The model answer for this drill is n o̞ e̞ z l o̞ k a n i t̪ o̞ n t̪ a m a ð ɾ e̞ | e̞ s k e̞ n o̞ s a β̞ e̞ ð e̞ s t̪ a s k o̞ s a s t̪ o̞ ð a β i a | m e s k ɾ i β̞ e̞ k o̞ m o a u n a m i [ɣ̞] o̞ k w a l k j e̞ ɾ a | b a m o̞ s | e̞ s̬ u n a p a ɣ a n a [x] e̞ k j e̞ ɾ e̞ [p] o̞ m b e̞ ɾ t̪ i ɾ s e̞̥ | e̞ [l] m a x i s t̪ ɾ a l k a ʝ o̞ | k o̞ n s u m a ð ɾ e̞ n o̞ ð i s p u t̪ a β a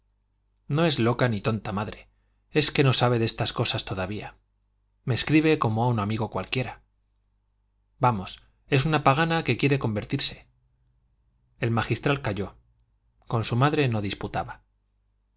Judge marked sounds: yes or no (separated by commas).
yes, no, no, yes